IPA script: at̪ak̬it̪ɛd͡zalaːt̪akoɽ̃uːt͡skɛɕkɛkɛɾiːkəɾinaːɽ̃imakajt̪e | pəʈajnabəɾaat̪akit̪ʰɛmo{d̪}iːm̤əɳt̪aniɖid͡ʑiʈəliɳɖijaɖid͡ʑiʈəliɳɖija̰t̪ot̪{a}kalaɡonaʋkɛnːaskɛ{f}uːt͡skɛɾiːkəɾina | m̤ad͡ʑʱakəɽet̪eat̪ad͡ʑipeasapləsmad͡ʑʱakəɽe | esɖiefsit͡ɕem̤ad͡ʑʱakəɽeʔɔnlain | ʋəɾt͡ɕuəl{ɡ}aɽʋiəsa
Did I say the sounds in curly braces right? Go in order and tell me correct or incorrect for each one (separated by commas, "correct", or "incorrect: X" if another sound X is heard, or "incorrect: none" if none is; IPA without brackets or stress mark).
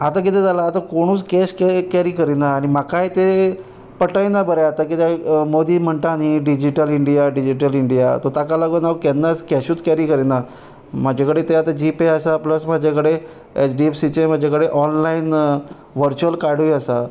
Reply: correct, correct, incorrect: ɕ, incorrect: k